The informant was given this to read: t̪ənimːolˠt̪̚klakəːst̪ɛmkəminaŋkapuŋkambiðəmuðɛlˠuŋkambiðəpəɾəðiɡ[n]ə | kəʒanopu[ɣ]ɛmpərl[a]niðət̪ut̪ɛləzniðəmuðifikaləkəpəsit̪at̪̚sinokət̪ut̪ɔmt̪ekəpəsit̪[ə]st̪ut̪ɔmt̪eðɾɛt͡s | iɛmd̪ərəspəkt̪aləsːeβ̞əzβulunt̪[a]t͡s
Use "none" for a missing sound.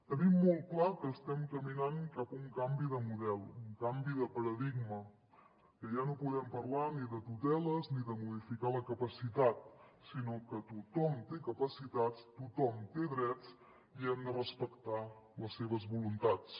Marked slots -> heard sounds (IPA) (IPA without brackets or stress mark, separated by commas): m, ð, a, a, a